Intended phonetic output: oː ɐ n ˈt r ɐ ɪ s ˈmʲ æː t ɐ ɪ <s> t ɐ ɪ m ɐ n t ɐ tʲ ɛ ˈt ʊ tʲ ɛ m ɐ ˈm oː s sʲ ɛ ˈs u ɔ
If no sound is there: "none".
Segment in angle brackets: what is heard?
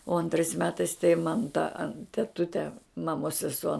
s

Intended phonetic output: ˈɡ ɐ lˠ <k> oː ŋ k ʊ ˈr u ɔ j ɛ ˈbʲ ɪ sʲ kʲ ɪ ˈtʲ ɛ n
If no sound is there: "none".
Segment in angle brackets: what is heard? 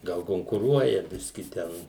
k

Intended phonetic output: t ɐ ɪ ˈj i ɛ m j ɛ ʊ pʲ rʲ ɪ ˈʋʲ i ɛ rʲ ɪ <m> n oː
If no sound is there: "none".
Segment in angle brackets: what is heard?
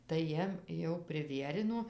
none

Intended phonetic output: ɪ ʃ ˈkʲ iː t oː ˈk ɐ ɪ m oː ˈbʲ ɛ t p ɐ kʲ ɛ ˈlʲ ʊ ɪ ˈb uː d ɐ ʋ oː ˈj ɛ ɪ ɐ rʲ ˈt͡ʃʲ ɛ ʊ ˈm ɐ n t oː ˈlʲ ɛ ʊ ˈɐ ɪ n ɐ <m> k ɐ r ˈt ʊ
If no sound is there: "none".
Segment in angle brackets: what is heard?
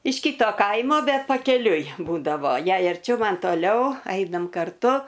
m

